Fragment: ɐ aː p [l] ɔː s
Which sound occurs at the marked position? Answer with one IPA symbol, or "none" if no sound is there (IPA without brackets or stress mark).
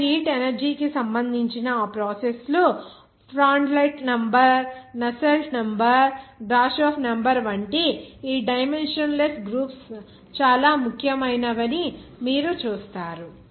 ɾ